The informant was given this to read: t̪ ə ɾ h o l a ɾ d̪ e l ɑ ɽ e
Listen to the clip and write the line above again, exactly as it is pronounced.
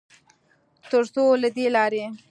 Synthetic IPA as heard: t̪ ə ɾ s o l a d̪ e l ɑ ɾ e